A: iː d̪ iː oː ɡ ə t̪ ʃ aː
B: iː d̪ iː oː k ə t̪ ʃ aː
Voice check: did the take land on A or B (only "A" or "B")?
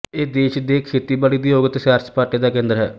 A